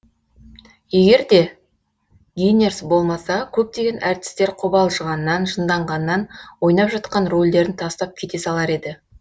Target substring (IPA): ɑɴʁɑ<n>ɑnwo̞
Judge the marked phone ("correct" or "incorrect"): incorrect